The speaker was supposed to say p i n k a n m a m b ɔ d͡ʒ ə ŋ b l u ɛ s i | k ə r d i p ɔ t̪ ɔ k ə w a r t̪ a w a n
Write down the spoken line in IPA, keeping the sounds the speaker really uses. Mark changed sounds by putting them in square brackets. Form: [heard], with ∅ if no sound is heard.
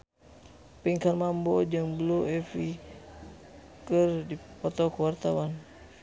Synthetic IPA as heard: p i [ŋ] k a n m a m b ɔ d͡ʒ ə ŋ b l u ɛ [f] i | k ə r d i p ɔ t̪ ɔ k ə w a r t̪ a w a n